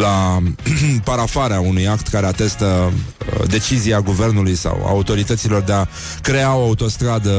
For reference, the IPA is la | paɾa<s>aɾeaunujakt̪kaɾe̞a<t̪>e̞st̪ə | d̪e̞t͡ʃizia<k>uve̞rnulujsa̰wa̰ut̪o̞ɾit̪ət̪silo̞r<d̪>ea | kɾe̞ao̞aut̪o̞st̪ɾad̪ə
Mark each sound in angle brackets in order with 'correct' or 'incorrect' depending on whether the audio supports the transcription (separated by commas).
incorrect, correct, incorrect, correct